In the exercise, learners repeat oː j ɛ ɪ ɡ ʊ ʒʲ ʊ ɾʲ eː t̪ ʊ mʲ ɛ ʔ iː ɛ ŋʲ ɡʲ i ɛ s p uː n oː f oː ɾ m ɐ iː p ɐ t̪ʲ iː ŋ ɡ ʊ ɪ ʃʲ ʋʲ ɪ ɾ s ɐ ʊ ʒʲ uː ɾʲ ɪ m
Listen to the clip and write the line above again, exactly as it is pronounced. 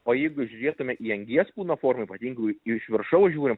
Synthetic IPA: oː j ɛ ɪ ɡ ʊ ʒʲ ʊ ɾʲ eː t̪ ʊ mʲ ɛ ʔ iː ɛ ŋʲ ɡʲ i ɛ s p uː n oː f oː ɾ m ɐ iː p ɐ t̪ʲ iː ŋ ɡ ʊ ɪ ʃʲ ʋʲ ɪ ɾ ʃ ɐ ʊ ʒʲ uː ɾʲ ɪ m